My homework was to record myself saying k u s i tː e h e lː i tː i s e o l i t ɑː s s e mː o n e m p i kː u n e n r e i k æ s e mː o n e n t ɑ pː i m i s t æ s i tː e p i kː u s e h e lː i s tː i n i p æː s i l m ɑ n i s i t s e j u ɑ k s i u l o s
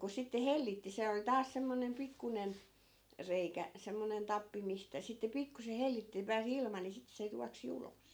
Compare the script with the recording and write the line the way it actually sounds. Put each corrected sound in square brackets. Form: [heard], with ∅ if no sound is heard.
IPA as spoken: k u s i tː e h e lː i tː i s e o l i t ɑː s s e mː o n e m p i kː u n e n r e i k æ s e mː o n e n t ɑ pː i m i s t æ s i tː e p i kː u s e h e lː i [∅] tː i n i p æː s i l m ɑ n i s i t s e j u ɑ k s i u l o s